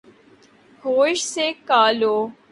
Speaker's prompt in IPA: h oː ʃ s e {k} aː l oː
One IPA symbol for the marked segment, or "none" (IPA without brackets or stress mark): k